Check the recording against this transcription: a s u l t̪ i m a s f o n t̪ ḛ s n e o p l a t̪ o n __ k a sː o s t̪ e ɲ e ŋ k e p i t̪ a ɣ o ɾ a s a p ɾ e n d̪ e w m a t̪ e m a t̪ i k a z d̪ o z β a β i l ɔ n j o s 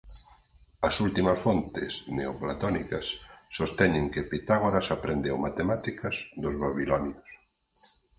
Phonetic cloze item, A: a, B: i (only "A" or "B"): B